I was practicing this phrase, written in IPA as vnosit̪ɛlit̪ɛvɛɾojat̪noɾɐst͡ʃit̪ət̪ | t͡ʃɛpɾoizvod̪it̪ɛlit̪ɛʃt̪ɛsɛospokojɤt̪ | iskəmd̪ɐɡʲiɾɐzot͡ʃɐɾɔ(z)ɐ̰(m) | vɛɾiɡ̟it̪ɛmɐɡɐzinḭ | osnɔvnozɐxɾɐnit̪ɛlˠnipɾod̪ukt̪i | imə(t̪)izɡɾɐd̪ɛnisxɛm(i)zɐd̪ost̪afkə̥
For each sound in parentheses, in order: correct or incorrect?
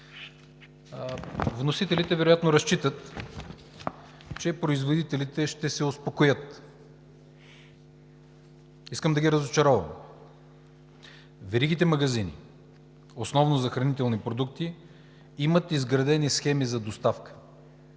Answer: incorrect, correct, correct, correct

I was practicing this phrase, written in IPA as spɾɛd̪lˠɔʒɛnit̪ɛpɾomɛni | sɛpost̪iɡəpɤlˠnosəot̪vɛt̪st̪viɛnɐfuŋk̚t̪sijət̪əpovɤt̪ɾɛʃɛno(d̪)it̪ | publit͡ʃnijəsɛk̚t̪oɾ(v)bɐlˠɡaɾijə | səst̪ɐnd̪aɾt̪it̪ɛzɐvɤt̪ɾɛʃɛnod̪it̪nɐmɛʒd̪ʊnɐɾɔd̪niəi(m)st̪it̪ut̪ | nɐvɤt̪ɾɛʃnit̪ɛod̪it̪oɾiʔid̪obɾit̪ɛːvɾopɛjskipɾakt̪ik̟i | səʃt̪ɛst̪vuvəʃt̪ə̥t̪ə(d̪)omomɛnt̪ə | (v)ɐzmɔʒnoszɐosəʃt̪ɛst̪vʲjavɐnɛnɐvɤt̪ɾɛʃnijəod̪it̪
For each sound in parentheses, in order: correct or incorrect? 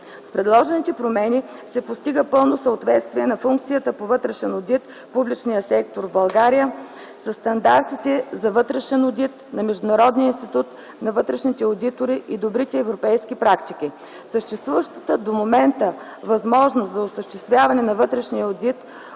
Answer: correct, correct, incorrect, correct, correct

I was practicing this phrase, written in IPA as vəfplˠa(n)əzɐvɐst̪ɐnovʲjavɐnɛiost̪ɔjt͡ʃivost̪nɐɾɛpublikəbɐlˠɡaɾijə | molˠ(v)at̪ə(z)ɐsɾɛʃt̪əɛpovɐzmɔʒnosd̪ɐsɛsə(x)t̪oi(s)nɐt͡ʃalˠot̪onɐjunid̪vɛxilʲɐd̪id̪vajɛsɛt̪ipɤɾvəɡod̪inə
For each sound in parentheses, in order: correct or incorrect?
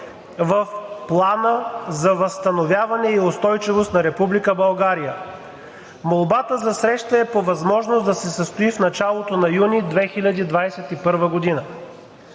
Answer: correct, incorrect, correct, incorrect, incorrect

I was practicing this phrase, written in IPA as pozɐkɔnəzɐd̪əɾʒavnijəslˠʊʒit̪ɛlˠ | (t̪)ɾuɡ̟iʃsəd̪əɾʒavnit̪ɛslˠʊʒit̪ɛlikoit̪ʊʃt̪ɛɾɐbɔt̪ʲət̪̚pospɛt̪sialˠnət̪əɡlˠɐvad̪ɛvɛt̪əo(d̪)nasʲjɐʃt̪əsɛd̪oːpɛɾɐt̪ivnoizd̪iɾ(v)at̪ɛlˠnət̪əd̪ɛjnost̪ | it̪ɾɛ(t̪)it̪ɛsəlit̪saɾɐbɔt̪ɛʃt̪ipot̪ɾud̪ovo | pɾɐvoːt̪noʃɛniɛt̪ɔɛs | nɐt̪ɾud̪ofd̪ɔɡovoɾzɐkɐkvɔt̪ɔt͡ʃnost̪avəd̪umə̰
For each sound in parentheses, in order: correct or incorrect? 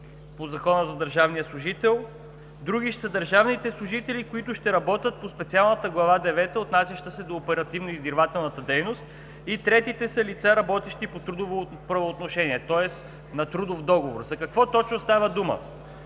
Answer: incorrect, incorrect, correct, correct

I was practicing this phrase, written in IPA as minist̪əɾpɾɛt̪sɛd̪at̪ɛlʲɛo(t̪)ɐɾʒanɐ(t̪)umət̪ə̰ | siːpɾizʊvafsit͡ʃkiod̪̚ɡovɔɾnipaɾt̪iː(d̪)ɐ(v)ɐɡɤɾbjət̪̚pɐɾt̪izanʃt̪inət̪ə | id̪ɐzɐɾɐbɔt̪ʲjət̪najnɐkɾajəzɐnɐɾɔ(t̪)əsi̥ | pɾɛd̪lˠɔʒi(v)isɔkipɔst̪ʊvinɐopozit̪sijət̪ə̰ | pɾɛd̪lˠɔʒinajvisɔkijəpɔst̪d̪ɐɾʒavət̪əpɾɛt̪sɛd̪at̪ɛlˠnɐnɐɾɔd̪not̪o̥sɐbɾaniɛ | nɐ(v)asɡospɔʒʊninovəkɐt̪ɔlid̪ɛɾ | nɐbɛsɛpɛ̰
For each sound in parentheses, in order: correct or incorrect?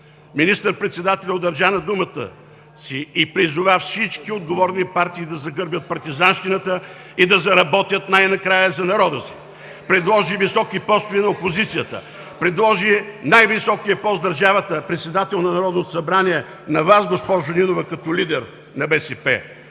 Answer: incorrect, incorrect, correct, incorrect, incorrect, correct, correct

